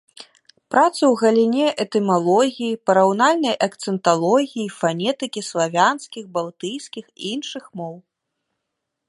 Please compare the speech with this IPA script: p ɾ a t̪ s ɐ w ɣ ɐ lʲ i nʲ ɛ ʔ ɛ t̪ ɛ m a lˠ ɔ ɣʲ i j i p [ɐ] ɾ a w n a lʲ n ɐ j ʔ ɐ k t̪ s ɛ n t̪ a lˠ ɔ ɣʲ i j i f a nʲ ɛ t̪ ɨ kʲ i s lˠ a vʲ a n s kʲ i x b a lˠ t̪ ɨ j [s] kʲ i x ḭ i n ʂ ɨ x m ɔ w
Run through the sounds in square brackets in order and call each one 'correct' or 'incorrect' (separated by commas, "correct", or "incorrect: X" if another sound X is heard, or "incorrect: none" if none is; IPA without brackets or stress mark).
correct, correct